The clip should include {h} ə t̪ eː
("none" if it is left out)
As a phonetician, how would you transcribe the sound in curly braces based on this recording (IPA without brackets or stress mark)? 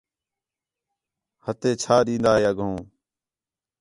h